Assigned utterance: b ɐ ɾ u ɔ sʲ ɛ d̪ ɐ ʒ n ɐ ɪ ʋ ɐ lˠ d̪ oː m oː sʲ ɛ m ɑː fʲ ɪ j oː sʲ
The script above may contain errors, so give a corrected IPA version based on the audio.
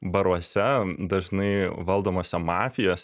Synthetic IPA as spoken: b ɐ ɾ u ɔ sʲ ɛ d̪ ɐ ʒ n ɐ ɪ ʋ ɐ lˠ d̪ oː m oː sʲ ɛ m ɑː fʲ ɪ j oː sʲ